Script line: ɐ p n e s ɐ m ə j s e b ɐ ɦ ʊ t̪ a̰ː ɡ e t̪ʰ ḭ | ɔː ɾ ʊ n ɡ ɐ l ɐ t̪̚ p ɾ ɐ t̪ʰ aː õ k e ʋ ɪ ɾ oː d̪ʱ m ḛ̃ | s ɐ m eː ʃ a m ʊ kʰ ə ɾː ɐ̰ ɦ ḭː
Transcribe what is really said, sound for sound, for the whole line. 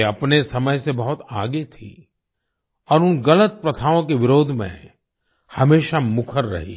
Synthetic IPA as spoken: ɐ p n e s ɐ m ə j s e b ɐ ɦ ʊ t̪ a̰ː ɡ e t̪ʰ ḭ | ɔː ɾ ʊ n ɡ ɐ l ə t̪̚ p ɾ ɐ t̪ʰ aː õ k e ʋ ɪ ɾ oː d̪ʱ m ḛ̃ | h ɐ m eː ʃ a m ʊ kʰ ə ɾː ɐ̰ ɦ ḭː